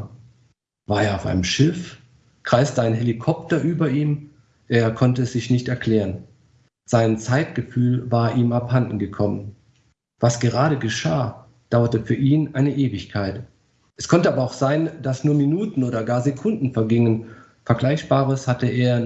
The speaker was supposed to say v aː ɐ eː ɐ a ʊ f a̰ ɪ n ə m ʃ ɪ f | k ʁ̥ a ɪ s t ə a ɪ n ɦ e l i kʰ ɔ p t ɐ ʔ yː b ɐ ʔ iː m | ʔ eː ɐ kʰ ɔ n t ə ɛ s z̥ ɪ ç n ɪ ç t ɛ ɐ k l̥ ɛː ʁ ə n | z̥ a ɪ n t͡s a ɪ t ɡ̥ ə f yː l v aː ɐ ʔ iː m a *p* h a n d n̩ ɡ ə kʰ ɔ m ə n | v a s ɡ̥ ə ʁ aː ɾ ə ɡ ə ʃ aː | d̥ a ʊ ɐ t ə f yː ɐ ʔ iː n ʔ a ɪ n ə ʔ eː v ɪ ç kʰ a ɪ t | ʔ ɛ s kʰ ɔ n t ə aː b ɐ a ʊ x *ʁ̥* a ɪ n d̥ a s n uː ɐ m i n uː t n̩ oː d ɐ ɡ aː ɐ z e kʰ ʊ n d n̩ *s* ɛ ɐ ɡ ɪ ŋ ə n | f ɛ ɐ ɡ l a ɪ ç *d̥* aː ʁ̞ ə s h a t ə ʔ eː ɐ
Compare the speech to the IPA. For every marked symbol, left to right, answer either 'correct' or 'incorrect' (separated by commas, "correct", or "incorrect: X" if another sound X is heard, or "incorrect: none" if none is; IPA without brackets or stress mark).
correct, incorrect: z̥, incorrect: f, incorrect: b̥